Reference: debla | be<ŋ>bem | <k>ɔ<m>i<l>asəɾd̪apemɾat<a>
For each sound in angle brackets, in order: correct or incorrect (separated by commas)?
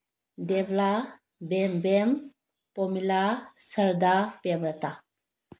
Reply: incorrect, incorrect, correct, correct, correct